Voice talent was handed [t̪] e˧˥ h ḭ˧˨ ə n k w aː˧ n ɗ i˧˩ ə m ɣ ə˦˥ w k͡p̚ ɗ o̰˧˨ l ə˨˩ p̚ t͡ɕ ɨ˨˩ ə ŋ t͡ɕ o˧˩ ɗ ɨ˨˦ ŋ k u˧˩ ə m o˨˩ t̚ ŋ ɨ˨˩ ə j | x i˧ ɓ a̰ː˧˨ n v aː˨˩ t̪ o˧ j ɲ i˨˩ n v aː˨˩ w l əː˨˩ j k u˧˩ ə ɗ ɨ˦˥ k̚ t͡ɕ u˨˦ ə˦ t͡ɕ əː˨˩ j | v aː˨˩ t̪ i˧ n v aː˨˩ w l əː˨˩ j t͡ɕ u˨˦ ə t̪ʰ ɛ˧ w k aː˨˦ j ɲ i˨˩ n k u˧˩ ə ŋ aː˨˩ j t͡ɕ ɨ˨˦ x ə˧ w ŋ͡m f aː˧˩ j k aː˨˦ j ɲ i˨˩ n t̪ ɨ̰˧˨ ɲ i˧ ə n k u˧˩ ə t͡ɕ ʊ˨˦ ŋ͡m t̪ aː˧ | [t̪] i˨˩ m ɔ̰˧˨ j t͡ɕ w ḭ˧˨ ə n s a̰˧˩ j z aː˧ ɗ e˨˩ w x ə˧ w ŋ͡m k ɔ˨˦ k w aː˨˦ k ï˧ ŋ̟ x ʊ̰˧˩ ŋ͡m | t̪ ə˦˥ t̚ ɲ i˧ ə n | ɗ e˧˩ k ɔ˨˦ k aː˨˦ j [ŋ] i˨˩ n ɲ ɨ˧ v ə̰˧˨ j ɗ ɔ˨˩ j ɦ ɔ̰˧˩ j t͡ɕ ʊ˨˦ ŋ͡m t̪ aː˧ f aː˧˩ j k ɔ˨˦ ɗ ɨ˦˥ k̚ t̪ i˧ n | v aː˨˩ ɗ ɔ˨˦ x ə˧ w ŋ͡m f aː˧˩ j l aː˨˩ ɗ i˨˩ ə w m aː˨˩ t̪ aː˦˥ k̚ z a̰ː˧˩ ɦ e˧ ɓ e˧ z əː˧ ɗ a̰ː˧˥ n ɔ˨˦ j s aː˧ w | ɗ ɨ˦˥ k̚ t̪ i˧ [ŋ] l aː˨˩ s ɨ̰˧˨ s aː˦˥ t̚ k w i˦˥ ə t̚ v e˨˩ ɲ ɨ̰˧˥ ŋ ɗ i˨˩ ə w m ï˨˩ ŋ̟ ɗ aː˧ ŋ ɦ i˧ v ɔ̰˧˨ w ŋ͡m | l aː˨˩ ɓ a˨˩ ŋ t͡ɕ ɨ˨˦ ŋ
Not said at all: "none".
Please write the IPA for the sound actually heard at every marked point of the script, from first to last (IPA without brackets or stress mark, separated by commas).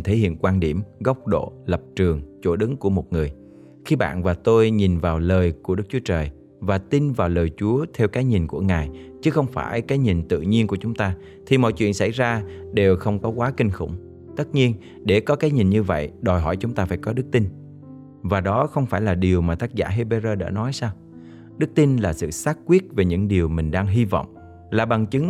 t̪ʰ, t̪ʰ, ɲ, n